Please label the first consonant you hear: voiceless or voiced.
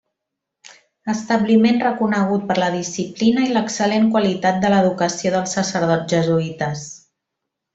voiceless